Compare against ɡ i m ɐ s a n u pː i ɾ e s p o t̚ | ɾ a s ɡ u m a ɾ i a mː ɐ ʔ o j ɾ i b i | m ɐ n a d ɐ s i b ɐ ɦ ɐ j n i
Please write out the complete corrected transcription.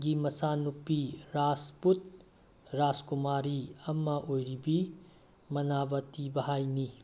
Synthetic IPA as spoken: ɡ i m ɐ s a n u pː i ɾ a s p u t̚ | ɾ a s k u m a ɾ i ɐ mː ɐ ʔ o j ɾ i b i | m ɐ n a b ɐ t i b ɐ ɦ a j n i